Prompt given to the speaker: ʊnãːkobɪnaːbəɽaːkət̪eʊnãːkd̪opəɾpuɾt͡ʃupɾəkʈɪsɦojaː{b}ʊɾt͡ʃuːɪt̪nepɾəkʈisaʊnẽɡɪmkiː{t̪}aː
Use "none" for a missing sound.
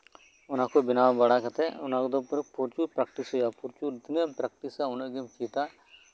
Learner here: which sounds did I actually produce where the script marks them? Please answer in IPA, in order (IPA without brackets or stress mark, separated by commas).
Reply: p, t̪